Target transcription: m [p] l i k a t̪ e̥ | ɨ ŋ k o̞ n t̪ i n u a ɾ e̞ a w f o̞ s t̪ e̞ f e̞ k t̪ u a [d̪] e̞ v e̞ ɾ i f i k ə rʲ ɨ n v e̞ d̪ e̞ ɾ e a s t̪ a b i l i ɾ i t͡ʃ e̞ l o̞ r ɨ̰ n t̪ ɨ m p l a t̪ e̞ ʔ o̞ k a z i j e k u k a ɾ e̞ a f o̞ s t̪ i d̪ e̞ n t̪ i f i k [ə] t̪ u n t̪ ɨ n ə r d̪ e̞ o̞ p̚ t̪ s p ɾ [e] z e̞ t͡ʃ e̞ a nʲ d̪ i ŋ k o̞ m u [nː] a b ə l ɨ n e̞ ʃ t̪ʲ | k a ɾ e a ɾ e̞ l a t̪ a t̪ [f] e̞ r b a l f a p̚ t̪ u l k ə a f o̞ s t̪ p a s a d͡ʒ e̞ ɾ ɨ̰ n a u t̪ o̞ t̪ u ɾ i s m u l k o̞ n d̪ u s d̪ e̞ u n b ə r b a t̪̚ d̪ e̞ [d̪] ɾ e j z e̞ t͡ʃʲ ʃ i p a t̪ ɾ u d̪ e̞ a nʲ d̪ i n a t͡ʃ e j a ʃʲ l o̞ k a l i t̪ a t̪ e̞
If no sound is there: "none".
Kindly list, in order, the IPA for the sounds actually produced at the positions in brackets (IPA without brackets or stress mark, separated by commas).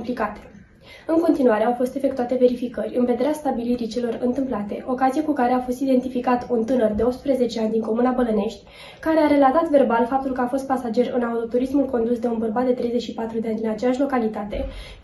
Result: p, t̪, a, e, n, v, t̪